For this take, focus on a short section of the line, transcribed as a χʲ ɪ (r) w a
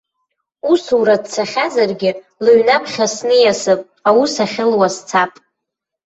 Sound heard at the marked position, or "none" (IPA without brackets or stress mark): l